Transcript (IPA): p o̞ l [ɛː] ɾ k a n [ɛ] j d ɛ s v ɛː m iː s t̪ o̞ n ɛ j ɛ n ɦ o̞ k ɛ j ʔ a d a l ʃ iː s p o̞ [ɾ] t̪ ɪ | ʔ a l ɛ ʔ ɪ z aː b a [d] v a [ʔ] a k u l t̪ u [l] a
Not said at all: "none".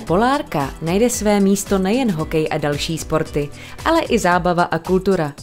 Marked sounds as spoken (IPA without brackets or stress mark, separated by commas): aː, a, ɾ, none, ʔ, ɾ